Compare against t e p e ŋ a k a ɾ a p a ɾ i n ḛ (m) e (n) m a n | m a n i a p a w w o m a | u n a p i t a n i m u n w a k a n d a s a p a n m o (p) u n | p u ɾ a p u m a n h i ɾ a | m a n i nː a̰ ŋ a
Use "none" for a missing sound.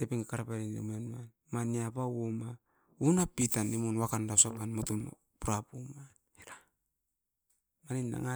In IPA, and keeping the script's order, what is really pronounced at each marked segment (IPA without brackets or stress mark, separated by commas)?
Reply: m, n, t